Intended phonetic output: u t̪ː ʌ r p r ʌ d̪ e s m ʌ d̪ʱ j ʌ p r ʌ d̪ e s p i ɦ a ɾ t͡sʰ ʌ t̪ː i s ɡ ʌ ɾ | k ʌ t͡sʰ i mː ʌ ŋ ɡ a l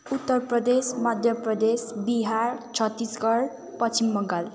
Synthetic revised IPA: u t̪ː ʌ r p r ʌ d̪ e s m ʌ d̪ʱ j ʌ p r ʌ d̪ e s b i ɦ a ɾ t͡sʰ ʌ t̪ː i s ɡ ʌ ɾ | p ʌ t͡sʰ i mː ʌ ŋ ɡ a l